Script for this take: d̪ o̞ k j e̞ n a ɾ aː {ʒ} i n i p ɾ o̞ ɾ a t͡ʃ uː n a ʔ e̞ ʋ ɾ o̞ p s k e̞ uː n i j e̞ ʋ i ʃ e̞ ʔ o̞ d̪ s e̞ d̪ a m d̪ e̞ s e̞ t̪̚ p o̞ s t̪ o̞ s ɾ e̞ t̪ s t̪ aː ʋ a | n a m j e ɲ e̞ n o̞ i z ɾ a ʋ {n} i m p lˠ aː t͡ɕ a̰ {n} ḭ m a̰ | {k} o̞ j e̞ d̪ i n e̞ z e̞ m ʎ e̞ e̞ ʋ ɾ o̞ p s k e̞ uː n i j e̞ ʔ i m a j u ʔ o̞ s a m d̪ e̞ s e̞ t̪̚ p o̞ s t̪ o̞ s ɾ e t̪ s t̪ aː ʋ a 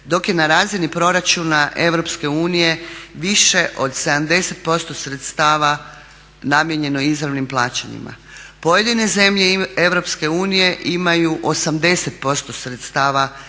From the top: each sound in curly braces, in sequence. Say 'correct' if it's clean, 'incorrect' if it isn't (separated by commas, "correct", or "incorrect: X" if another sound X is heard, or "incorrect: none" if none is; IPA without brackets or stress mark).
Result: incorrect: z, correct, incorrect: ɲ, incorrect: p